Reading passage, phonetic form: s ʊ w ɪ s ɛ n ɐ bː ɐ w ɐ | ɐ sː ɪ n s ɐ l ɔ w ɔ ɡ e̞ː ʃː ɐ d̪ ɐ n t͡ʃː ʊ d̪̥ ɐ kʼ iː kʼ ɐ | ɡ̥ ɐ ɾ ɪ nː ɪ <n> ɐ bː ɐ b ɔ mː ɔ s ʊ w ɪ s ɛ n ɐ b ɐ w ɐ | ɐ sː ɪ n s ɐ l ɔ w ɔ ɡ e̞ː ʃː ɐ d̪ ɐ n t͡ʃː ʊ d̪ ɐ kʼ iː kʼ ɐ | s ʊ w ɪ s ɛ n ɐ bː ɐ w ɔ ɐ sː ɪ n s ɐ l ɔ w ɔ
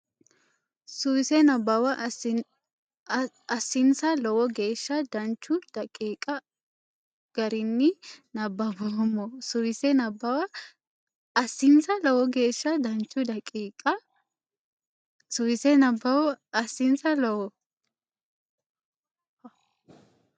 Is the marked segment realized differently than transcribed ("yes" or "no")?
no